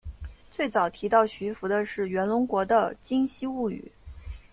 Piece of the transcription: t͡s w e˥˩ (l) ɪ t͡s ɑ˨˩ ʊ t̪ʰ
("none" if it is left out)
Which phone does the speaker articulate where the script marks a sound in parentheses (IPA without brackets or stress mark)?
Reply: none